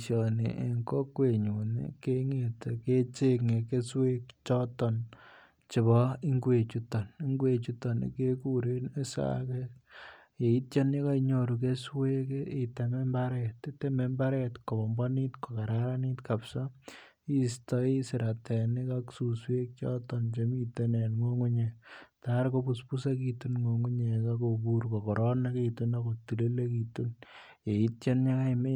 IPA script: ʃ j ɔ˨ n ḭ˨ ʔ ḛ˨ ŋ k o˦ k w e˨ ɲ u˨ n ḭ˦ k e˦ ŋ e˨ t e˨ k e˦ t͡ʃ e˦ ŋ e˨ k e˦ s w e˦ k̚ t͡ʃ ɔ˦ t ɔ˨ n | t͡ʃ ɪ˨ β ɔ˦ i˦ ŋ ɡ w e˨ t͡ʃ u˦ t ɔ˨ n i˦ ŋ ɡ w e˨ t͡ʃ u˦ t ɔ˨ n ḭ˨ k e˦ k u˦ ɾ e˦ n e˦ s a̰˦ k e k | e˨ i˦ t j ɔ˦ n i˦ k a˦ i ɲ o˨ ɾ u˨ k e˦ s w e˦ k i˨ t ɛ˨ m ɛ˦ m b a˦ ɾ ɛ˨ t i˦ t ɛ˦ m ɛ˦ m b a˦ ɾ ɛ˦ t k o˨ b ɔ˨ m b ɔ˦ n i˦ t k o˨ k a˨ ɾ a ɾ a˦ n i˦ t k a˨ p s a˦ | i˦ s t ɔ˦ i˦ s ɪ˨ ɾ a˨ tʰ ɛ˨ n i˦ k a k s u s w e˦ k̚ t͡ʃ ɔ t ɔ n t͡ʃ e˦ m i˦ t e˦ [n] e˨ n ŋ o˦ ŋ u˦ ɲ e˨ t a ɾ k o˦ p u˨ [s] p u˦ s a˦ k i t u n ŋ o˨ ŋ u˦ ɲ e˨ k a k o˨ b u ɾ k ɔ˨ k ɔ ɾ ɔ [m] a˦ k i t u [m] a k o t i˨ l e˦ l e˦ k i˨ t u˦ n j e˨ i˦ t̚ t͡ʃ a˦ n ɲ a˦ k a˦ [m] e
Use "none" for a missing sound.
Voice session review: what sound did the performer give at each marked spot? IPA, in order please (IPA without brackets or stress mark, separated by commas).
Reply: n, s, n, n, m